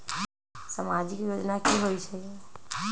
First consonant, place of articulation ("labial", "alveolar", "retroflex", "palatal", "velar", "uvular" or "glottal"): alveolar